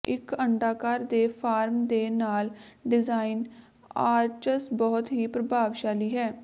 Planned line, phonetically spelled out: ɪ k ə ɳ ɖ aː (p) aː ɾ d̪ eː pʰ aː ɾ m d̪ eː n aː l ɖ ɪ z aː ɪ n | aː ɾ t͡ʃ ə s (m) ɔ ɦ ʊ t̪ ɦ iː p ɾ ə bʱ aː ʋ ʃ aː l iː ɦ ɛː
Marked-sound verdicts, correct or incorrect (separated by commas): incorrect, incorrect